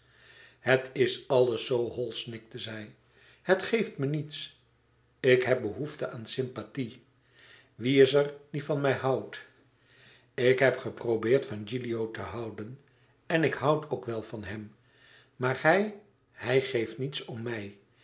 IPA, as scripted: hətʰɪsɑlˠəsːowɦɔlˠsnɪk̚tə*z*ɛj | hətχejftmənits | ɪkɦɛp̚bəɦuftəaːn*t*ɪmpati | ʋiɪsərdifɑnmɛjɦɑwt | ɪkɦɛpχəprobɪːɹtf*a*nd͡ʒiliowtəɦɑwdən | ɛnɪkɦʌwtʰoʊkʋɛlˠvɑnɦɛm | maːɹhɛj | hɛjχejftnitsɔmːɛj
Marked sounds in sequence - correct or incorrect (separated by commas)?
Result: correct, incorrect, incorrect